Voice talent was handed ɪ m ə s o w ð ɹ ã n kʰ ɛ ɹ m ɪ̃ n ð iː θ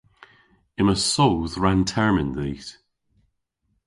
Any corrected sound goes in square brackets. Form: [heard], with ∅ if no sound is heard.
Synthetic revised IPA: ɪ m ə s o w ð ɹ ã n [tʰ] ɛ ɹ m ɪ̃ n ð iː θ